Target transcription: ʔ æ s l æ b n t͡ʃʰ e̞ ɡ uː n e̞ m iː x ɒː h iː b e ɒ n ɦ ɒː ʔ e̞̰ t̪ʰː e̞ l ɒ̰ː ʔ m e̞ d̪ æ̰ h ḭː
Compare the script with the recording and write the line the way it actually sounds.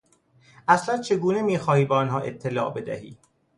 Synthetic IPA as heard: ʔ æ s l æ n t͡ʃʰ e̞ ɡ uː n e̞ m iː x ɒː h iː b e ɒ n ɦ ɒː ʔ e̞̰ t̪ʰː e̞ l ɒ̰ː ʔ b e̞ d̪ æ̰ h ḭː